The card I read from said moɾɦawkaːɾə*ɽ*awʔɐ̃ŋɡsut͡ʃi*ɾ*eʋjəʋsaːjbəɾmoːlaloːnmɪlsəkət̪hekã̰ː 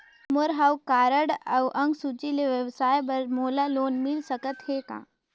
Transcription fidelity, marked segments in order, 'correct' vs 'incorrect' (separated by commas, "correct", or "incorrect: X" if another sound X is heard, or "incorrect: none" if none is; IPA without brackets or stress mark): correct, incorrect: l